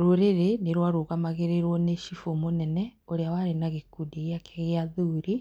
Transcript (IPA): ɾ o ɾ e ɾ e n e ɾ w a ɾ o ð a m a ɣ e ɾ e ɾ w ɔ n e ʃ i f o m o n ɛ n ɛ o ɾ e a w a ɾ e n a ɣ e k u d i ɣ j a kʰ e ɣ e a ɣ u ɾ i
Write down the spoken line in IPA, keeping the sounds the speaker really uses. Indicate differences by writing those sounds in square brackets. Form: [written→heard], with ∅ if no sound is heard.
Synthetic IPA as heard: ɾ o ɾ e ɾ e n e ɾ w a ɾ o [ð→ɣ] a m a ɣ e ɾ e ɾ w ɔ n e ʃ i f o m o n ɛ n ɛ o ɾ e a w a ɾ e n a ɣ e k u d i ɣ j a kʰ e ɣ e a [ɣ→ð] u ɾ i